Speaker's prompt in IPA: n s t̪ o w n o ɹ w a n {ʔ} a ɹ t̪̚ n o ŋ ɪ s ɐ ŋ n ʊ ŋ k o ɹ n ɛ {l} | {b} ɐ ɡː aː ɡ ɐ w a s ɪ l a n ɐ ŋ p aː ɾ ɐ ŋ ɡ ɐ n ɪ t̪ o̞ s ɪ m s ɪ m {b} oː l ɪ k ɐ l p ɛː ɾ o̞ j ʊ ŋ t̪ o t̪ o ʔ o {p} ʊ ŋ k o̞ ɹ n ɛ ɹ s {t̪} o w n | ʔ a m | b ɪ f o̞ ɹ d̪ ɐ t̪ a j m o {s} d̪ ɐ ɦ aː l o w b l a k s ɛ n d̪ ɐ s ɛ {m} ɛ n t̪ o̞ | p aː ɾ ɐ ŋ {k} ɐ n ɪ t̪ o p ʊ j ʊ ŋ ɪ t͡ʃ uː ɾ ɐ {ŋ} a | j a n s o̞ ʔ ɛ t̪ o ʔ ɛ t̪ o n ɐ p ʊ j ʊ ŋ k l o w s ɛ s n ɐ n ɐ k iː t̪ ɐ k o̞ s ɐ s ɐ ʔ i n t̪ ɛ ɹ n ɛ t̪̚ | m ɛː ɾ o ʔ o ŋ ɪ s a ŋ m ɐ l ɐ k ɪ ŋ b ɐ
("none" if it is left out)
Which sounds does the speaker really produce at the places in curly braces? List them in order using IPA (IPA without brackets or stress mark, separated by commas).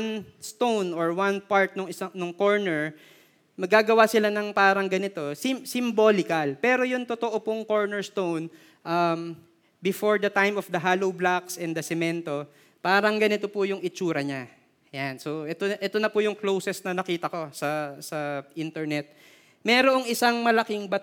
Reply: p, ɹ, m, b, p, t̪, f, m, ɡ, ɲ